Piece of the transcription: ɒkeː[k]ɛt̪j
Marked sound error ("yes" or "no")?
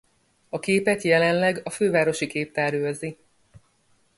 yes